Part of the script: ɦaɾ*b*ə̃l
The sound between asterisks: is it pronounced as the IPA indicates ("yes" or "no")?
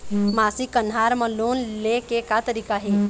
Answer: no